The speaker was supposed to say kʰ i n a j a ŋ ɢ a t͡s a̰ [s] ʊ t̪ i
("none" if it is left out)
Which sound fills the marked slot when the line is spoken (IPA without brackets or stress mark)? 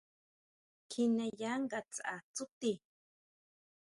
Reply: t͡s